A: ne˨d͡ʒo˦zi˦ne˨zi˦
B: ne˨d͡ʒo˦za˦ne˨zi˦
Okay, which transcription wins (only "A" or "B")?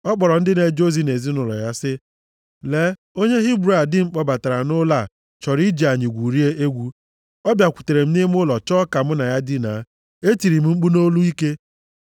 A